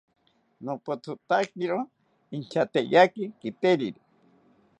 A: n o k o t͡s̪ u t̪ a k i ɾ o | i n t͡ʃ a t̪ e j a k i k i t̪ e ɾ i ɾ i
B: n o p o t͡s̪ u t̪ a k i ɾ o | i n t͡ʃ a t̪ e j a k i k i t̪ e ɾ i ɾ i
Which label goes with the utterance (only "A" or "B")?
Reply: B